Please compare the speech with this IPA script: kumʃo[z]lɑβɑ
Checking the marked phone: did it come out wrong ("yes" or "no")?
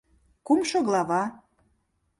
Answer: yes